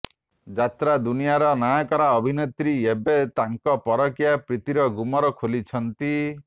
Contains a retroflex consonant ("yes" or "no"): no